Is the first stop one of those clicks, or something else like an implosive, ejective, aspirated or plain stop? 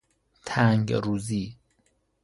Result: aspirated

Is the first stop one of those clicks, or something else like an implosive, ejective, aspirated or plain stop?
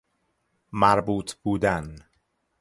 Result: plain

